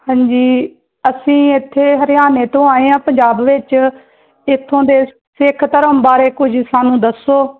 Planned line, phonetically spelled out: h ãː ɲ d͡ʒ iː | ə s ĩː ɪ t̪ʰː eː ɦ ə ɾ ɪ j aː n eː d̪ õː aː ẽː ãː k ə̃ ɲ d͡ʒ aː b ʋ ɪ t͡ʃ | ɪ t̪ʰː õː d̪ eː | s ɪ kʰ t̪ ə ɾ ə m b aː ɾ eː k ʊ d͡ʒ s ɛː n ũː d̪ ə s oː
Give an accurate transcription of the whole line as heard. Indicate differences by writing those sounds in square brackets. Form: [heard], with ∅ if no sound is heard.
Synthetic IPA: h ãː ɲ d͡ʒ iː | ə s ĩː ɪ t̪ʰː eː ɦ ə ɾ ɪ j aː n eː [t̪] õː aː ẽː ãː [p] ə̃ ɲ d͡ʒ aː b ʋ ɪ t͡ʃ | ɪ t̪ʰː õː d̪ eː | s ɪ kʰ t̪ ə ɾ ə m b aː ɾ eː k ʊ d͡ʒ s [aː] n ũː d̪ ə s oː